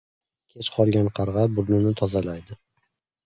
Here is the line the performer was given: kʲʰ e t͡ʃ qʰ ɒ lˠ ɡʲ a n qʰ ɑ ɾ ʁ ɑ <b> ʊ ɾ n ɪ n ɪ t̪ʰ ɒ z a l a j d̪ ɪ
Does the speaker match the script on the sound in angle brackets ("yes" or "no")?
yes